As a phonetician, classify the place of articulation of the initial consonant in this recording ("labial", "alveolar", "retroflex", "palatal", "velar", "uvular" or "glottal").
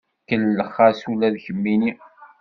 velar